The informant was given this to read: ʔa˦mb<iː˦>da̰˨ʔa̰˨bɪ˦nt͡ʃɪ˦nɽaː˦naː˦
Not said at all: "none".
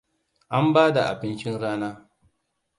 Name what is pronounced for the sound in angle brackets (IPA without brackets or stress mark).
aː˦